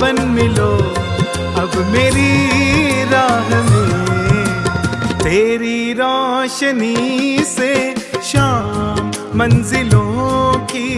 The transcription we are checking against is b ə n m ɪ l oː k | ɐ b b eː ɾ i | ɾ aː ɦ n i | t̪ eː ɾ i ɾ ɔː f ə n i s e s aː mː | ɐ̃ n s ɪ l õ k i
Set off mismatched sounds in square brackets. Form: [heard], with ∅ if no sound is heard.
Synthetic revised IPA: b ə n m ɪ l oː [∅] | ɐ b [m] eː ɾ i | ɾ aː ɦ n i | t̪ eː ɾ i ɾ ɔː [ʃ] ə n i s e [ʃ] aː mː | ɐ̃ n [z] ɪ l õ k i